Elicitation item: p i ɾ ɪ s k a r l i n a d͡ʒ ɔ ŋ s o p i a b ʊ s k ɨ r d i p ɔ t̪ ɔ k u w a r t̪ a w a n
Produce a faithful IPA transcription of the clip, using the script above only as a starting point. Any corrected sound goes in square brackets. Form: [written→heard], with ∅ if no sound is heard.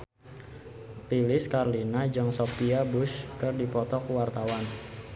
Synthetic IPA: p i [ɾ→l] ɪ s k a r l i n a d͡ʒ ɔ ŋ s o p i a b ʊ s k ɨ r d i p ɔ t̪ ɔ k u w a r t̪ a w a n